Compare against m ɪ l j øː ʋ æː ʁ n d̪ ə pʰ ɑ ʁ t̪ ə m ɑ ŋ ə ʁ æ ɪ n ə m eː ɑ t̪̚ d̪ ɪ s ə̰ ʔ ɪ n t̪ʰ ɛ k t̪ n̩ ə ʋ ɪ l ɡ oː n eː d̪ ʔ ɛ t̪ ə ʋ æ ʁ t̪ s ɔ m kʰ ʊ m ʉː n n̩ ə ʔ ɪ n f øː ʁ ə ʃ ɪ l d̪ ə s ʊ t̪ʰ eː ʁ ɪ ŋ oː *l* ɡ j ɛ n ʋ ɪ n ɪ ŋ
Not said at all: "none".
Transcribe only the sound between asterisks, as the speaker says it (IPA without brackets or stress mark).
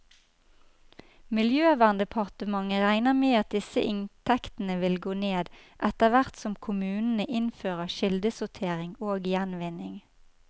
none